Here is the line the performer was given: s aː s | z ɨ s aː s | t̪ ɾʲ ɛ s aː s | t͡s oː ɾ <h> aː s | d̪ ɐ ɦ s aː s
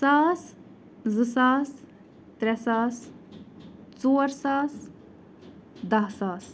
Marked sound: incorrect: s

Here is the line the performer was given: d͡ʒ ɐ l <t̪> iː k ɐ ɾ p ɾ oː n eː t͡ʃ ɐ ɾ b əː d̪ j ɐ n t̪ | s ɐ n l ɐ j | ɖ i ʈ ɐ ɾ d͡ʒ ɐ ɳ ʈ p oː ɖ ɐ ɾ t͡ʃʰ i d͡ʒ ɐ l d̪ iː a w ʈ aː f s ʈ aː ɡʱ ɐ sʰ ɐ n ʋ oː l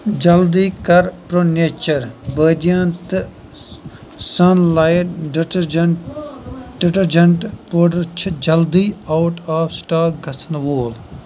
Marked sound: incorrect: d̪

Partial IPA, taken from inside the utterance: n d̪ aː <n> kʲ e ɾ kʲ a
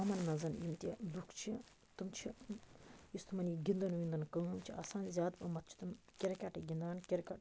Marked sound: correct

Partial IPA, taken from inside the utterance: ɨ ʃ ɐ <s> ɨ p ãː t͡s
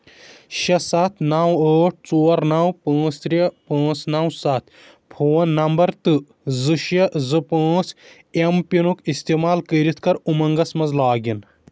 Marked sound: incorrect: z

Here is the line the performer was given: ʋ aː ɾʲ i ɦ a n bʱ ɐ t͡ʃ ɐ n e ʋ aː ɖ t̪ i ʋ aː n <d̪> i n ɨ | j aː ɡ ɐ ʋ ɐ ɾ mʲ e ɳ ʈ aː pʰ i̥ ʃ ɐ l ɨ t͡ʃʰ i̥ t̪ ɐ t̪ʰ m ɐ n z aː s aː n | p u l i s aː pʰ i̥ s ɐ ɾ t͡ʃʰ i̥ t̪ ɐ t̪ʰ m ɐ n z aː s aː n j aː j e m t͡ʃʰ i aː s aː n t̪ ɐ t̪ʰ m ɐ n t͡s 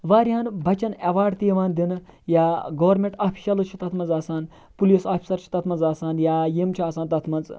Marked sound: correct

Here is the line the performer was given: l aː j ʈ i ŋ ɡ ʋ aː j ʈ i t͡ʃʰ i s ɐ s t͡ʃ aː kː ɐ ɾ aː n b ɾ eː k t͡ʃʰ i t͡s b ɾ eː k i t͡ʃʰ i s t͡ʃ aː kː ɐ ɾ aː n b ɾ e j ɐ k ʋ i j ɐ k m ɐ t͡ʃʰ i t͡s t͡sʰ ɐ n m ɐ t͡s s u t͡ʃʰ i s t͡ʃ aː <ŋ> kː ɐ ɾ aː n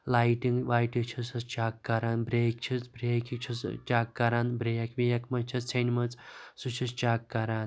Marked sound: incorrect: none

